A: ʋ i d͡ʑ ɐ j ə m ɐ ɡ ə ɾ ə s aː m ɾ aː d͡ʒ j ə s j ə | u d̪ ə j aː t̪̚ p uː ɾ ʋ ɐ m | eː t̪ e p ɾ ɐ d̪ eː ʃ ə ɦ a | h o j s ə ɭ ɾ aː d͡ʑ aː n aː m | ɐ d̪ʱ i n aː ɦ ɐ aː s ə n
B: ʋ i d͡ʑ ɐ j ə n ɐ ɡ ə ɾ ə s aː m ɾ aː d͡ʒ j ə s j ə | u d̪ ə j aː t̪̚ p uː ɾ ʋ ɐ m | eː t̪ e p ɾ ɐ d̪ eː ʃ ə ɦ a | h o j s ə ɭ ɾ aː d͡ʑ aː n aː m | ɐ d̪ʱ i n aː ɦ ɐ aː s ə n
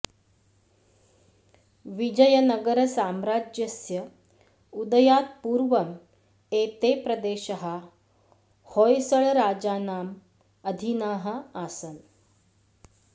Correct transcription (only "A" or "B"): B